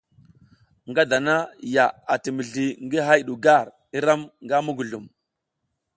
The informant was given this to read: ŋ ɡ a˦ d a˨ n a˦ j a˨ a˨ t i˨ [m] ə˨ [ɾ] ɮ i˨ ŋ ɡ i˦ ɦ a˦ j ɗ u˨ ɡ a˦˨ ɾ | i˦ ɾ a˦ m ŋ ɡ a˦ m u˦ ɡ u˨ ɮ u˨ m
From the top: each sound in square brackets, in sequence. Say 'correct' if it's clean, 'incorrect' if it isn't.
correct, incorrect: none

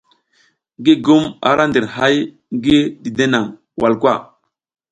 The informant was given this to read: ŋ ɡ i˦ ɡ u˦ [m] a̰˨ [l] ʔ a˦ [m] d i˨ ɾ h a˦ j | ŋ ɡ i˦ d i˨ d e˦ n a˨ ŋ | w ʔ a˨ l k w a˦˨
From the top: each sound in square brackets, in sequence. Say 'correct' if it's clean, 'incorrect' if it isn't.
correct, incorrect: ɾ, incorrect: n

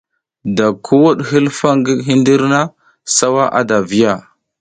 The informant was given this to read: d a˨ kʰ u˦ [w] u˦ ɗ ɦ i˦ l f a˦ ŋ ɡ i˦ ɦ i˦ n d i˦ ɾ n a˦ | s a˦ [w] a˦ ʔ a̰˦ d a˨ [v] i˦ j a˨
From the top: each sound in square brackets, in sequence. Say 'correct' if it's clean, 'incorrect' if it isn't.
correct, correct, correct

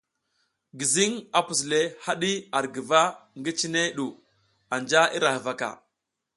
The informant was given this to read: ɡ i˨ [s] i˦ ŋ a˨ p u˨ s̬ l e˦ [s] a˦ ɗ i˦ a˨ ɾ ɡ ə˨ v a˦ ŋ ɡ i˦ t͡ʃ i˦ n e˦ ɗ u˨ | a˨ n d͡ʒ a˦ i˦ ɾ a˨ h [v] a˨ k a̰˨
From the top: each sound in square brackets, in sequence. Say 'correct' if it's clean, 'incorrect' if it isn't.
incorrect: z, incorrect: h, correct

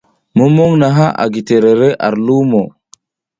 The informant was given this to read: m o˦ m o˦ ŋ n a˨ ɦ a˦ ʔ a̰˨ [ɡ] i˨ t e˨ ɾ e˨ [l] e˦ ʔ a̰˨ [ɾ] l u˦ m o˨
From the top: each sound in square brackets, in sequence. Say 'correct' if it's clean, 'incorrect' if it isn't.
correct, incorrect: ɾ, correct

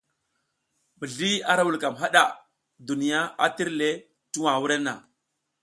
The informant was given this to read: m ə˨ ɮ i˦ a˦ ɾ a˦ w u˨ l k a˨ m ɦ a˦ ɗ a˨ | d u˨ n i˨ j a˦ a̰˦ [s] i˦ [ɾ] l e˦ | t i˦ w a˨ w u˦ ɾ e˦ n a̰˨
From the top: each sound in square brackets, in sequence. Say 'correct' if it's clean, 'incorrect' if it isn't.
incorrect: t, correct

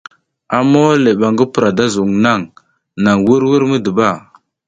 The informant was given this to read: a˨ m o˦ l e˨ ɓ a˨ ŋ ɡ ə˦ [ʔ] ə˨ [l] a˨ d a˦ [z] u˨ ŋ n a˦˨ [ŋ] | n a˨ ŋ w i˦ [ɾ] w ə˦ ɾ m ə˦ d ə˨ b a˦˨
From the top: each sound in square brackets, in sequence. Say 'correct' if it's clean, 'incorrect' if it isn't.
incorrect: p, incorrect: ɾ, correct, correct, correct

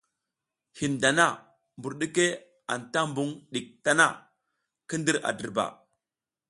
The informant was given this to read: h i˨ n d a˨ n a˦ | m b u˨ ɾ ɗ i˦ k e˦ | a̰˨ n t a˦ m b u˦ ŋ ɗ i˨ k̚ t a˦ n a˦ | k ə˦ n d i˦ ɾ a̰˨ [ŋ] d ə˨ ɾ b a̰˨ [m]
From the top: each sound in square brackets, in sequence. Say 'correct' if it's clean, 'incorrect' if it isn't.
incorrect: none, incorrect: none

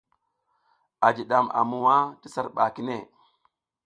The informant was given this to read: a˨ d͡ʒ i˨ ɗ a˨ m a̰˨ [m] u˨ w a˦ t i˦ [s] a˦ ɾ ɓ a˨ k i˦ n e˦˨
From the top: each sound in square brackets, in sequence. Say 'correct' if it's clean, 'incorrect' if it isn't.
correct, correct

